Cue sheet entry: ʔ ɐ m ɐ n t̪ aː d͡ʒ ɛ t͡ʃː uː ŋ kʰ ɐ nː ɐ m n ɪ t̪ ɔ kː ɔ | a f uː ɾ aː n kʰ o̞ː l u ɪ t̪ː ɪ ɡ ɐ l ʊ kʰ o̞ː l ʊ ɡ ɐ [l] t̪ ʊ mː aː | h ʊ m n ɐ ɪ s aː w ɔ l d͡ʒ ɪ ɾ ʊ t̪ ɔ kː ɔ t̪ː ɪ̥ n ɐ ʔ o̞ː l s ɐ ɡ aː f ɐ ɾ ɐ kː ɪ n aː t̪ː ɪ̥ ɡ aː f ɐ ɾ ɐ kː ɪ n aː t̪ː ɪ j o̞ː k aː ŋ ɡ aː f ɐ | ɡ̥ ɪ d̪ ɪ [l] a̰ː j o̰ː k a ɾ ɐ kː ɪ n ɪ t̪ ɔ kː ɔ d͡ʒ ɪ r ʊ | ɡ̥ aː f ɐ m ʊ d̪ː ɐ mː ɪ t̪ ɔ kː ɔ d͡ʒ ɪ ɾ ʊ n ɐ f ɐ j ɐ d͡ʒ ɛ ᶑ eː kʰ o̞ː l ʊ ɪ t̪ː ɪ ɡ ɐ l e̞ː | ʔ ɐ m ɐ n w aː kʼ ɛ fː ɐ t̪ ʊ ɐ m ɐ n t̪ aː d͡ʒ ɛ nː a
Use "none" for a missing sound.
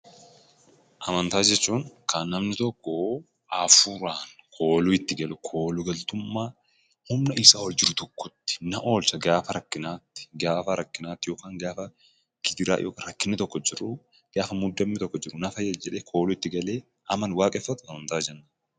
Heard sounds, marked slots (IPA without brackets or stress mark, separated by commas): l, ɾ